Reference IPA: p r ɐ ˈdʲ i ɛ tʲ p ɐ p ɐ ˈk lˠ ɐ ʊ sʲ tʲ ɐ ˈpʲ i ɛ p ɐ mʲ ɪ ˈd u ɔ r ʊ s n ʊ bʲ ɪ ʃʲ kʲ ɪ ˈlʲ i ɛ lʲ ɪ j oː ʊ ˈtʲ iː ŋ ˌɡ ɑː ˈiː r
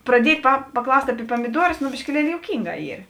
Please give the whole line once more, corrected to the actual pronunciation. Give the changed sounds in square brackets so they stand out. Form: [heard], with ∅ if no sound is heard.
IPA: p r ɐ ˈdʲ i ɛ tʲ p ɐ p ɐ ˈk lˠ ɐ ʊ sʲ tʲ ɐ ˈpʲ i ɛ p ɐ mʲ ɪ ˈd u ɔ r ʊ s n ʊ bʲ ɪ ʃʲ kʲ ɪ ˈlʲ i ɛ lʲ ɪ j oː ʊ [ˈkʲ] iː ŋ ˌɡ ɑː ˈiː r